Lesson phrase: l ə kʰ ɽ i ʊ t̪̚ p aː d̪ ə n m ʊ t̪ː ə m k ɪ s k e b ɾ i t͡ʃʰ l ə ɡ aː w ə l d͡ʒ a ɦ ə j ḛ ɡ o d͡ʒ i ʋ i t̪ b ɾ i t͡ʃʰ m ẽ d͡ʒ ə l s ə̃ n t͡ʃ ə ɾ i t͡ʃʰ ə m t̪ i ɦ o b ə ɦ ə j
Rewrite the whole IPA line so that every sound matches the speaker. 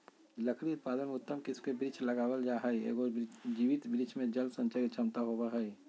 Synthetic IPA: l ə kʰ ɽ i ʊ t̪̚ p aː d̪ ə n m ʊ t̪ː ə m k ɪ s k e b ɾ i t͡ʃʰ l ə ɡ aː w ə l d͡ʒ a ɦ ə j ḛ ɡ o d͡ʒ i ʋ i t̪ b ɾ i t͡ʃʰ m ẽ d͡ʒ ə l s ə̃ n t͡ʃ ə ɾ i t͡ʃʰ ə m t̪ a ɦ o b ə ɦ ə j